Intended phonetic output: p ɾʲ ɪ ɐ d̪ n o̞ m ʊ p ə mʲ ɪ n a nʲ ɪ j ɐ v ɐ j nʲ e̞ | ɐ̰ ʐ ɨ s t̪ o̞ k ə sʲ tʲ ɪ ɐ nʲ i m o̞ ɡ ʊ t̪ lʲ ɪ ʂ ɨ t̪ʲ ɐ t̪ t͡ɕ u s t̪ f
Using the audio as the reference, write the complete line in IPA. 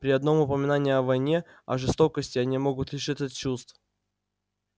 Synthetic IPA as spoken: p ɾʲ ɪ ɐ d̪ n o̞ m ʊ p ə mʲ ɪ n a nʲ ɪ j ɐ v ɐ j nʲ e̞ | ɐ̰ ʐ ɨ s t̪ o̞ k ə sʲ tʲ ɪ ɐ nʲ i m o̞ ɡ ʊ t̪ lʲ ɪ ʂ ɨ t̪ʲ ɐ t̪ t͡ɕ u s t̪ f